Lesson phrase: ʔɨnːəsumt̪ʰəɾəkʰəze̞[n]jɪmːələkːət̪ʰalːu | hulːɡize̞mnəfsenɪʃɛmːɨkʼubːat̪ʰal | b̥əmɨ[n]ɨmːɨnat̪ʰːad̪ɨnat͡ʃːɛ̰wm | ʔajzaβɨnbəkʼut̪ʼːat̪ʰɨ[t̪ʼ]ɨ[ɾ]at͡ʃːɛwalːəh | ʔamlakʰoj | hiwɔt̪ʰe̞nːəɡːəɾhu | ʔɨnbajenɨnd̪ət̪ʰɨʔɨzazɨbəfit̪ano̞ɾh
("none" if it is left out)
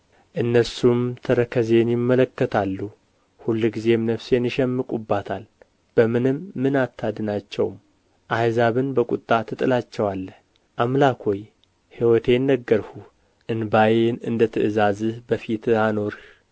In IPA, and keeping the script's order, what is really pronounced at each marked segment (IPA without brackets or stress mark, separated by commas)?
n, n, t̪ʼ, l